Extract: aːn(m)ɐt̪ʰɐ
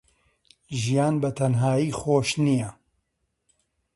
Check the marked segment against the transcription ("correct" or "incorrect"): incorrect